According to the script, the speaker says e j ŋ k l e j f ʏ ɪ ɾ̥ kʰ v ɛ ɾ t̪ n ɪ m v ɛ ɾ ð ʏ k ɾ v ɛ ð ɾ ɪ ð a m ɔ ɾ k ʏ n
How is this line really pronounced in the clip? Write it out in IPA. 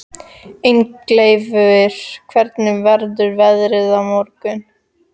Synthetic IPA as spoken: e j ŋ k l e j v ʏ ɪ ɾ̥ kʰ v ɛ ɾ t̪ n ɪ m v ɛ ɾ ð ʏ ɾ v ɛ ð ɾ ɪ ð a m ɔ ɾ k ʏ n